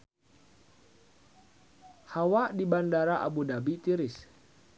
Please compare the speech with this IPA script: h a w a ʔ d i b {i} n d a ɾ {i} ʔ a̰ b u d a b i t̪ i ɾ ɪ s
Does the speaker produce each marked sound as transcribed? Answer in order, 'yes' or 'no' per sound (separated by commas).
no, no